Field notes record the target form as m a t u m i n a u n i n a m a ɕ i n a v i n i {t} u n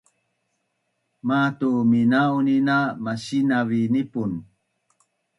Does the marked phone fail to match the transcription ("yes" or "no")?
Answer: yes